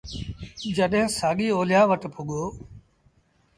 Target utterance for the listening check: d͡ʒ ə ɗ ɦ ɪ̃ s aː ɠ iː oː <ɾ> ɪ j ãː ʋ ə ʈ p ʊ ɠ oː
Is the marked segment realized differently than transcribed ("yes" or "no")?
yes